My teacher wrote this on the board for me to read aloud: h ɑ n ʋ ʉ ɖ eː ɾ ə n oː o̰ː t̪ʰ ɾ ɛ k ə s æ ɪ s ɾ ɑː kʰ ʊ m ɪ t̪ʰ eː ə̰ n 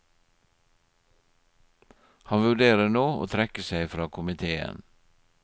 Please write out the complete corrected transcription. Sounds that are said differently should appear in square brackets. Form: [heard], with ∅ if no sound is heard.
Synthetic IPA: h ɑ n ʋ ʉ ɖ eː ɾ ə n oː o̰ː t̪ʰ ɾ ɛ k ə s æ ɪ [f] ɾ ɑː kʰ ʊ m ɪ t̪ʰ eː ə̰ n